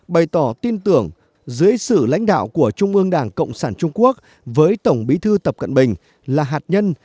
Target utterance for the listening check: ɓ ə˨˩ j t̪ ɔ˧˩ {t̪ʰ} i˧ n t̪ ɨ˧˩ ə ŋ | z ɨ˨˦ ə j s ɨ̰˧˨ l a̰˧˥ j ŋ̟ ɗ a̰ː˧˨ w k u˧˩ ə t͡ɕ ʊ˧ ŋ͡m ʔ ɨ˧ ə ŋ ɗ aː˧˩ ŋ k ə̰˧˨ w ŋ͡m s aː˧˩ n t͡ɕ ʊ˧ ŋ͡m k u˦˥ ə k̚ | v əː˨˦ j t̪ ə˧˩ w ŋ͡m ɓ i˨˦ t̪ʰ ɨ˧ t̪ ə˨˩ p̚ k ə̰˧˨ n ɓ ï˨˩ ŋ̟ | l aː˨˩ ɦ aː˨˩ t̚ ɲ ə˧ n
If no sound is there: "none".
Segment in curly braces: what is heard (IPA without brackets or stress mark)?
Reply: t̪